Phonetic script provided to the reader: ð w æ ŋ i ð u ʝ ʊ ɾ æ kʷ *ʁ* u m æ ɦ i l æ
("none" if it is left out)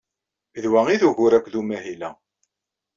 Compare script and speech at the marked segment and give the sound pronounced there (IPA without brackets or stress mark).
ð